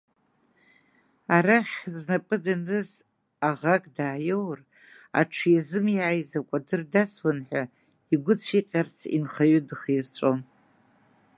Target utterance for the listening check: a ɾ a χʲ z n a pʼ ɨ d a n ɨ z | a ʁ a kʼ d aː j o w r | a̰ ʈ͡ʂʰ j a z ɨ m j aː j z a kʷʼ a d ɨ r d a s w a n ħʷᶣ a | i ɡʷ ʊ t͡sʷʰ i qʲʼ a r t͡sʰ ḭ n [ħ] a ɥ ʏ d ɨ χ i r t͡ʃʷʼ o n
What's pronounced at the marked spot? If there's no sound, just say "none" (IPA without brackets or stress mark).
χ